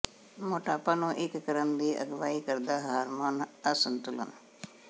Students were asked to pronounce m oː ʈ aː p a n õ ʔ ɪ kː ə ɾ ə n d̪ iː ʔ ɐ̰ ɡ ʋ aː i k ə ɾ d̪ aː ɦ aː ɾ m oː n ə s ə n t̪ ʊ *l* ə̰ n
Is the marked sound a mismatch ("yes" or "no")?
no